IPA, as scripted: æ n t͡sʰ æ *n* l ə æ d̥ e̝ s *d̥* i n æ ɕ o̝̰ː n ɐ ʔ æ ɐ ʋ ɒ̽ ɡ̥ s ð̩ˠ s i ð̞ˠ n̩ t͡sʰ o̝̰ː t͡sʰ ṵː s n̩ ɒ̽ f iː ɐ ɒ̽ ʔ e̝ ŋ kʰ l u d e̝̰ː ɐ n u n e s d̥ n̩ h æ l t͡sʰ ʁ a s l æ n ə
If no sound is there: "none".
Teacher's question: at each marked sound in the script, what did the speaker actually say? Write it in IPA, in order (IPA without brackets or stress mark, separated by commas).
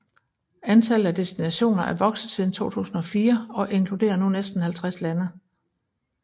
none, d̥